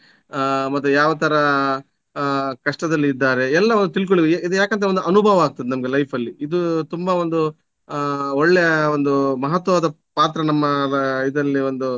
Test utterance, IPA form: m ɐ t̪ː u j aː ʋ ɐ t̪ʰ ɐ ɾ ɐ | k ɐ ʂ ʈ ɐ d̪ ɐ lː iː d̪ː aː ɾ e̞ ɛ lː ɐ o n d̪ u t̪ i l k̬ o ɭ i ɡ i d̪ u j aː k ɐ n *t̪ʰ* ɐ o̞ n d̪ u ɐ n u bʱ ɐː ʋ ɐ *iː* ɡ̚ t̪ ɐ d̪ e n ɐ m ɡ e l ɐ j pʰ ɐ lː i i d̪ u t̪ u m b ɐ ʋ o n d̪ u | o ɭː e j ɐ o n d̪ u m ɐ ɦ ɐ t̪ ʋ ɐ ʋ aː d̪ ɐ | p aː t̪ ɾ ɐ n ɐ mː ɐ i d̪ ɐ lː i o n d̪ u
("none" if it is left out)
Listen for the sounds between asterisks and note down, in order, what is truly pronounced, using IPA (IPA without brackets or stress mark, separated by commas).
t̪, aː